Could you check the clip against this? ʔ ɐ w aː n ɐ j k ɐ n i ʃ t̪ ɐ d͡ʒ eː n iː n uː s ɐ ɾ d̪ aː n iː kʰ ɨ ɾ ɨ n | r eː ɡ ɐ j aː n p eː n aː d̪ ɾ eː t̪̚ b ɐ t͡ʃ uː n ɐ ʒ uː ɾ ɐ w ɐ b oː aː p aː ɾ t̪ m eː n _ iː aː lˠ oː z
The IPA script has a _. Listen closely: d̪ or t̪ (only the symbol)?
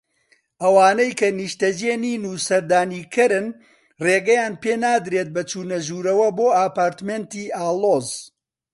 t̪